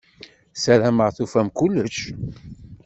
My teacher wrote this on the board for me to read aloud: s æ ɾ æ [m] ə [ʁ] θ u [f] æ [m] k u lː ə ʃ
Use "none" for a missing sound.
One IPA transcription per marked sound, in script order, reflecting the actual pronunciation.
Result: m, ʁ, f, m

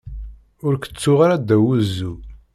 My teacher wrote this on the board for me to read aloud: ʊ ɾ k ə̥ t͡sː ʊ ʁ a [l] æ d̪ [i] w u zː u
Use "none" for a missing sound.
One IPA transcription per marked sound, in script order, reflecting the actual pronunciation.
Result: ɾ, æ

